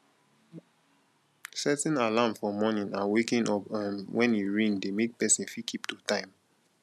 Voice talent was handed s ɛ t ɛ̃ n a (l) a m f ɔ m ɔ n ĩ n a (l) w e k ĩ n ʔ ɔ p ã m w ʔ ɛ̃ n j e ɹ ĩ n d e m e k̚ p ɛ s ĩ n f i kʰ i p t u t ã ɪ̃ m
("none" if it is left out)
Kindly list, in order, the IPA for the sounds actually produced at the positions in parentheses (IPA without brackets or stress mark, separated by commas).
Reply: l, none